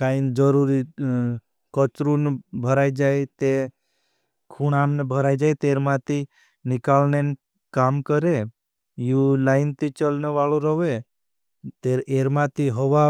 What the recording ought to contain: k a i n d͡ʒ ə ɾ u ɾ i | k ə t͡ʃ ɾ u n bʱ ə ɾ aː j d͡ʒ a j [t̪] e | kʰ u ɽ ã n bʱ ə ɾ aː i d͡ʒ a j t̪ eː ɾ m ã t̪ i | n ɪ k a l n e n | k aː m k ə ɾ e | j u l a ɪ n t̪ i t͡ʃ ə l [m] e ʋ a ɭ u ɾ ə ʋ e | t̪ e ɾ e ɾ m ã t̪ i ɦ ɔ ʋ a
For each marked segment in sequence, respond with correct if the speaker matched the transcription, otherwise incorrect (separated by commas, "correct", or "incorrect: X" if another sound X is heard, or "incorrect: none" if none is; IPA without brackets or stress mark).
correct, incorrect: n